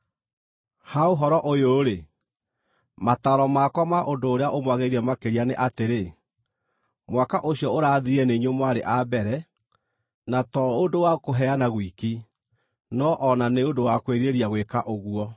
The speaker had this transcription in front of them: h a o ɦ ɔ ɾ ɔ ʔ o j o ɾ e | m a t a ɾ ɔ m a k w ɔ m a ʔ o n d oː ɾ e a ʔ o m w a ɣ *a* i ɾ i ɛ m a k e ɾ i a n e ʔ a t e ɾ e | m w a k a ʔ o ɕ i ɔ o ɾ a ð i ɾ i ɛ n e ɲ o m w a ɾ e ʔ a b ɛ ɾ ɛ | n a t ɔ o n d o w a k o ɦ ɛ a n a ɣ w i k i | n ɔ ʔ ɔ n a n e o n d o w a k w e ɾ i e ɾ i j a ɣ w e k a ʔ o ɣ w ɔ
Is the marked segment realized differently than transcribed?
yes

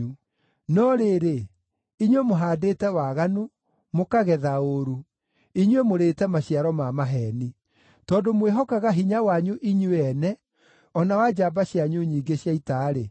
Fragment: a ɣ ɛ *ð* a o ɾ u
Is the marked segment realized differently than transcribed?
no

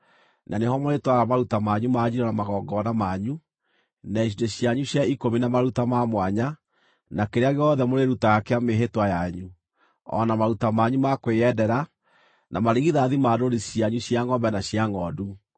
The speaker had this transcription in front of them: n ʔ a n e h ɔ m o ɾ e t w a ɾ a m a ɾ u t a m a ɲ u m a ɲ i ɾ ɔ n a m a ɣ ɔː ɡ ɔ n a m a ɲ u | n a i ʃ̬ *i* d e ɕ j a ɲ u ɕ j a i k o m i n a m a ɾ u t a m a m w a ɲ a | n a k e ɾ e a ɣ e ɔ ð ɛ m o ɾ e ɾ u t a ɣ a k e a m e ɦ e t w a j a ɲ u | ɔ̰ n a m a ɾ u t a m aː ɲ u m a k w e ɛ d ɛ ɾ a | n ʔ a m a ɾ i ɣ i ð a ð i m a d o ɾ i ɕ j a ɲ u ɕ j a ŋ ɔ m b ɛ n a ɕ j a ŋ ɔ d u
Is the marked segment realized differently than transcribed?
no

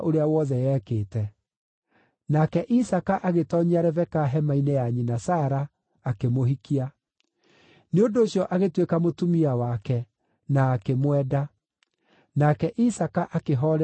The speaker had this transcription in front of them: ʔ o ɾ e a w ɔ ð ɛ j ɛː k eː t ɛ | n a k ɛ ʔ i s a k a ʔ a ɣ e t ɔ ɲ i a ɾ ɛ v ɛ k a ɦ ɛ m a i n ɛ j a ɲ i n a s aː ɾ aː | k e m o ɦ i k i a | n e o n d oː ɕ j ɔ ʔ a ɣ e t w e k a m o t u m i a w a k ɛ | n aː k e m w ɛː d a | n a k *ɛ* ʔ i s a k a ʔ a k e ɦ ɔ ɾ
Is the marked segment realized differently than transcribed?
no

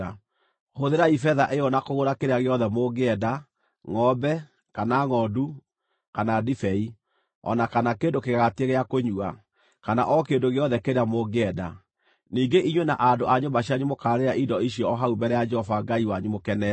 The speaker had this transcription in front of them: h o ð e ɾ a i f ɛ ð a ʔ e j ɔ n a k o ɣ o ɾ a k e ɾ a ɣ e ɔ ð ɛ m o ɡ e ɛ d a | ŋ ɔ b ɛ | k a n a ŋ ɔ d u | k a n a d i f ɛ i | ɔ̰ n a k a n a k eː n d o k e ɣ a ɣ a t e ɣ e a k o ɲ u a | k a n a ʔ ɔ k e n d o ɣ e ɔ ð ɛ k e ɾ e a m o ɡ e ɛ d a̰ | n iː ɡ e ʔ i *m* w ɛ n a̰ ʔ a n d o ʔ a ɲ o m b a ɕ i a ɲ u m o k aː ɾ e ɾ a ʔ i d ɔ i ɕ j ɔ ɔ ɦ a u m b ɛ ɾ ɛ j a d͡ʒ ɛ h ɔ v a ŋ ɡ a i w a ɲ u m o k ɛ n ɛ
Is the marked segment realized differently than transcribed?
yes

